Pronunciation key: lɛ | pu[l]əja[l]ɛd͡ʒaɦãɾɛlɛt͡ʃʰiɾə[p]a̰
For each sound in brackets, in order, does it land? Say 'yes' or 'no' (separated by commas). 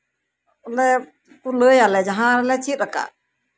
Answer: yes, yes, no